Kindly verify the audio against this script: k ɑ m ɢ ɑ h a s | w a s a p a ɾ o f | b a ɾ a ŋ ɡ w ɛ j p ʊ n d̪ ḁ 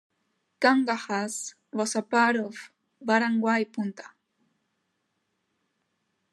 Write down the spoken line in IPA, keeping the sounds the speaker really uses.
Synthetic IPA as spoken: k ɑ ɴ ɢ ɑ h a s | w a s a p a ɾ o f | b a ɾ a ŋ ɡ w a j p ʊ n t̪ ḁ